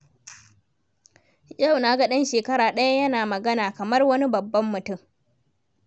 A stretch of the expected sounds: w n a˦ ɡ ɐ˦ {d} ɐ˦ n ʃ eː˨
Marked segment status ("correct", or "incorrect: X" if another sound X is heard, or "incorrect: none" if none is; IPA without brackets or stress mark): incorrect: ɗ